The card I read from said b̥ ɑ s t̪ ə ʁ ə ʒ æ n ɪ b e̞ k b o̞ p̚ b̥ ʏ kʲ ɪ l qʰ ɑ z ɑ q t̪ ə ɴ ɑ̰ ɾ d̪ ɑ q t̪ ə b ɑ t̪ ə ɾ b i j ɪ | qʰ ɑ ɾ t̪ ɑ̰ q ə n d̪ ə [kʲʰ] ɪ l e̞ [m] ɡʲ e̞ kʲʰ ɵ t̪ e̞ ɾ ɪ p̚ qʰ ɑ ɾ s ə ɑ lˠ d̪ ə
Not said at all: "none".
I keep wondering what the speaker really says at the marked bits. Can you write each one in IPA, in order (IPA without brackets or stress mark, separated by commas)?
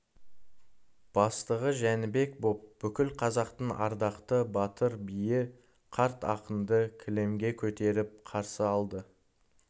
kʲʰ, m